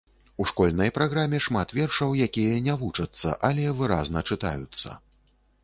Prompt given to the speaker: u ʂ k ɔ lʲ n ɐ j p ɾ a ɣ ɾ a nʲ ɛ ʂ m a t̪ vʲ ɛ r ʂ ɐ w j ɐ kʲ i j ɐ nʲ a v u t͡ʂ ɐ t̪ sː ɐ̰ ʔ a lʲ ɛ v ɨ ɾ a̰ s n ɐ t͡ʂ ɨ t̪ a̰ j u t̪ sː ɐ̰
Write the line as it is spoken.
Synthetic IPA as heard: u ʂ k ɔ lʲ n ɐ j p ɾ a ɣ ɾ a mʲ ɛ ʂ m a t̪ vʲ ɛ r ʂ ɐ w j a kʲ i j ɐ nʲ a v u t͡ʂ ɐ t̪ sː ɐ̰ ʔ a lʲ ɛ v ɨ ɾ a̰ z n ɐ t͡ʂ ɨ t̪ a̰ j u t̪ sː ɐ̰